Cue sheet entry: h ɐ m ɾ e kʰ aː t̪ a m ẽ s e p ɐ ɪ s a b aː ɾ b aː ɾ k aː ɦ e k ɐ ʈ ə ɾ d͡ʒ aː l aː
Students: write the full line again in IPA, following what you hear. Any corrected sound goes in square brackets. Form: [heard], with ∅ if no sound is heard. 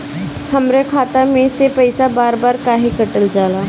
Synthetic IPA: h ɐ m ɾ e kʰ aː t̪ a m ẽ s e p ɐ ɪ s a b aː ɾ b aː ɾ k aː ɦ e k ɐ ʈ ə [l] d͡ʒ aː l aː